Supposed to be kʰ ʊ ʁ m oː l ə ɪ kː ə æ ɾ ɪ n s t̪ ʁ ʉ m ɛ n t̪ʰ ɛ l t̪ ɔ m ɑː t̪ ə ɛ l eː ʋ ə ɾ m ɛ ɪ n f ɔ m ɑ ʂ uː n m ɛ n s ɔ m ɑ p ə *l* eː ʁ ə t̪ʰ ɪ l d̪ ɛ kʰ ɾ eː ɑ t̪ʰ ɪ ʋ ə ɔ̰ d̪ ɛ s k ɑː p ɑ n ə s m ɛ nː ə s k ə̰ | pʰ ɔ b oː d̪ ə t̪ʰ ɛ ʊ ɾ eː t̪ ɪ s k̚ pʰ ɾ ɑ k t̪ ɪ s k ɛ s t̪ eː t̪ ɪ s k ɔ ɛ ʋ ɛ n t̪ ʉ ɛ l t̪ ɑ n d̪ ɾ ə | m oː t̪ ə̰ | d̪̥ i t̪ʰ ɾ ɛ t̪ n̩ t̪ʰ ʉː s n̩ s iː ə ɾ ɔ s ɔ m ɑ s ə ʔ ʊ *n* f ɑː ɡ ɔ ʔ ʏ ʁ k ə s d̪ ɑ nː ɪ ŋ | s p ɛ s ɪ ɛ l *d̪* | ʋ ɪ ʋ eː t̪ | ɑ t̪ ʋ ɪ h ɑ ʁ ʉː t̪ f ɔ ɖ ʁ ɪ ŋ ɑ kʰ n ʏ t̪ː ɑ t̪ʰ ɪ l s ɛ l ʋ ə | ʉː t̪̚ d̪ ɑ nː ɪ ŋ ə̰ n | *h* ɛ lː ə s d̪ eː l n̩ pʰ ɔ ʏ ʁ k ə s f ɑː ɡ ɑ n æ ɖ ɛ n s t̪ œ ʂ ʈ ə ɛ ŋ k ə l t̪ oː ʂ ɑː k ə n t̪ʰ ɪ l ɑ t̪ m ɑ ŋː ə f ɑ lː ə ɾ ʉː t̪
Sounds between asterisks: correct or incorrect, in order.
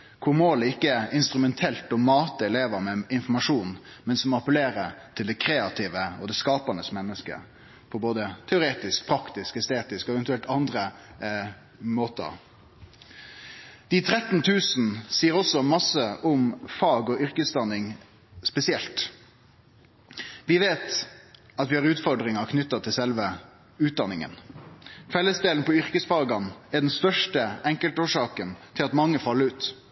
correct, incorrect: m, incorrect: t̪, incorrect: f

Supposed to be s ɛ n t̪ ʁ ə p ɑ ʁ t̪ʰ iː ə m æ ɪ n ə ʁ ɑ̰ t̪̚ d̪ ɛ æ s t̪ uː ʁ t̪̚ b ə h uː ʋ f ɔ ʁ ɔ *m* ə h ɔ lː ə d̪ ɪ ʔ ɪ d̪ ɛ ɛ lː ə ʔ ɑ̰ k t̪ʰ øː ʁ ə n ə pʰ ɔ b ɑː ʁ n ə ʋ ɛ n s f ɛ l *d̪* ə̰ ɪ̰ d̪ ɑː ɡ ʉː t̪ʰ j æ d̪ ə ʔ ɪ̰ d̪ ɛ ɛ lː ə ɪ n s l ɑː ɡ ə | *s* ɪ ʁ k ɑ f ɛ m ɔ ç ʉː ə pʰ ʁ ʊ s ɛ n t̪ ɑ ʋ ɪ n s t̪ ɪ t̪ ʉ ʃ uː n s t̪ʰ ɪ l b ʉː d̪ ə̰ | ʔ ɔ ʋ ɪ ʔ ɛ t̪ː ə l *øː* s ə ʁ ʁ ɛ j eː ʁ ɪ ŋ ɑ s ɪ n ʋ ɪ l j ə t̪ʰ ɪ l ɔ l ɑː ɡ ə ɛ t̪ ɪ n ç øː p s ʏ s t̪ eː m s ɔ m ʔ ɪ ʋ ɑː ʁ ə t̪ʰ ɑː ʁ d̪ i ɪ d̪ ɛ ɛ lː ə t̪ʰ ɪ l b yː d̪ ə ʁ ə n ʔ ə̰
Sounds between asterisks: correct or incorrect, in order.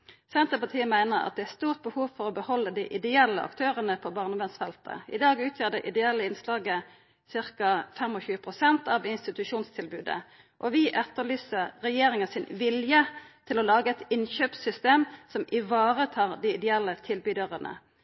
incorrect: b, incorrect: t̪, correct, incorrect: yː

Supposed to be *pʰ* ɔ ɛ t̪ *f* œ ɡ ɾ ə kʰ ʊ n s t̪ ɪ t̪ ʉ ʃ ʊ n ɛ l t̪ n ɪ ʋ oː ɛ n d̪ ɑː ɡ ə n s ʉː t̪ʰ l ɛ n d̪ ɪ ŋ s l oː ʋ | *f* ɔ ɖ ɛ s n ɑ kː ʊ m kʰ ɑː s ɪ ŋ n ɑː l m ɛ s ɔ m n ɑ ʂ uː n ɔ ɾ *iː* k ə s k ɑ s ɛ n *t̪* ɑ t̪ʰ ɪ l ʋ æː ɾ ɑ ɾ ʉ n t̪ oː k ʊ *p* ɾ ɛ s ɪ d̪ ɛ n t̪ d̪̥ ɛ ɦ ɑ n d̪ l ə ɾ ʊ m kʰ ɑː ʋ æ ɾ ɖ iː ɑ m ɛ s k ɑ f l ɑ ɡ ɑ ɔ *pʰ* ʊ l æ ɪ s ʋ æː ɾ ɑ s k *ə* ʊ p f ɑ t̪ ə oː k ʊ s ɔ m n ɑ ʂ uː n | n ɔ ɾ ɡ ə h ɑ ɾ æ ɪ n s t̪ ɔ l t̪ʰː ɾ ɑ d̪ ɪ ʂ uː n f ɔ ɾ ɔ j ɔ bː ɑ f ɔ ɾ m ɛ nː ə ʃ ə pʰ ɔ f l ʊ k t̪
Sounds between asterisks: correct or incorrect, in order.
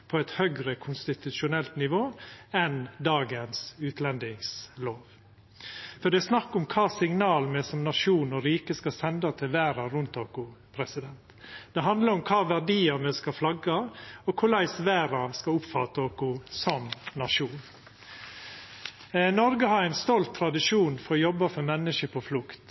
correct, incorrect: h, correct, correct, incorrect: d̪, incorrect: pʰ, incorrect: kʰ, incorrect: ɑ

